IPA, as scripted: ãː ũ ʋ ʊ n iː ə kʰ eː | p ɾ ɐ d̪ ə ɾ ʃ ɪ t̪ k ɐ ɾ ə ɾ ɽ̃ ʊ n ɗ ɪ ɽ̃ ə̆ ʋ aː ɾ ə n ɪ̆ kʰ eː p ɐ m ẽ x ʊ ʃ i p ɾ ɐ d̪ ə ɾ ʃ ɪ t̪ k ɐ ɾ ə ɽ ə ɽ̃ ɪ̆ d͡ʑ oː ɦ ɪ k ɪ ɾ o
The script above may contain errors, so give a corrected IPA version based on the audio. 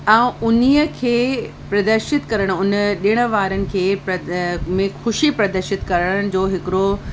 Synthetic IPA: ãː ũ ʊ n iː ə kʰ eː | p ɾ ɐ d̪ ə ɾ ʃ ɪ t̪ k ɐ ɾ ə ɽ̃ ʊ n ɗ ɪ ɽ̃ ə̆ ʋ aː ɾ ə n ɪ̆ kʰ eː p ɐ m ẽ x ʊ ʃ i p ɾ ɐ d̪ ə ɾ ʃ ɪ t̪ k ɐ ɾ ə ɽ ə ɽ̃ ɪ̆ d͡ʑ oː ɦ ɪ k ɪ ɾ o